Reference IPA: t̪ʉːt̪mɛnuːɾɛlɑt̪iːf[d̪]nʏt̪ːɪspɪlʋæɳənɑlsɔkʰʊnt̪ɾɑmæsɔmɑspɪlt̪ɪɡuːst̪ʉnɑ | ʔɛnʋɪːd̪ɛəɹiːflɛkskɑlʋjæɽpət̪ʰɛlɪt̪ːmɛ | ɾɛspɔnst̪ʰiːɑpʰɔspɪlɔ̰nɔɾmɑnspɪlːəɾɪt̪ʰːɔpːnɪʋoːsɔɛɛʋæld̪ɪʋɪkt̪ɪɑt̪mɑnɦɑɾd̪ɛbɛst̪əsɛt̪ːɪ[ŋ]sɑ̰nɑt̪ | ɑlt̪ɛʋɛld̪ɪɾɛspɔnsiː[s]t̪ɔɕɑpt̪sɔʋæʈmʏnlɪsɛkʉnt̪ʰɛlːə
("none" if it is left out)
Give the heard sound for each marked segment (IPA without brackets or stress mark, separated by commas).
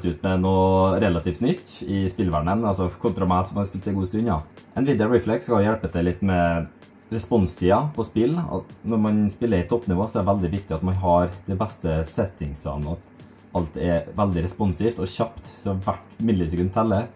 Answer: t̪, ŋ, f